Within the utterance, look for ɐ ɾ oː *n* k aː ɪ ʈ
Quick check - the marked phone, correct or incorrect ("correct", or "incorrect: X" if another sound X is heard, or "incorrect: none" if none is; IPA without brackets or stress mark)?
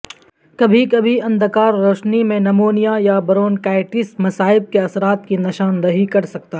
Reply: correct